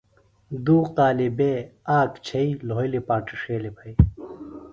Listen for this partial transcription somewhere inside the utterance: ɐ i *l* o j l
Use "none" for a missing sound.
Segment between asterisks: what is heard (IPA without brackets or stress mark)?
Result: l